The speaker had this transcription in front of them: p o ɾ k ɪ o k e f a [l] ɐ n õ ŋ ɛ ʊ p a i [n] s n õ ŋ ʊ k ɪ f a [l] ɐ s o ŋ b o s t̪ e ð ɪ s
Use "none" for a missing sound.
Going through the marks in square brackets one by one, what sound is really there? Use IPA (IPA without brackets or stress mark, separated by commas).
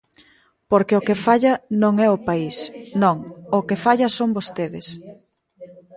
ʎ, none, ʎ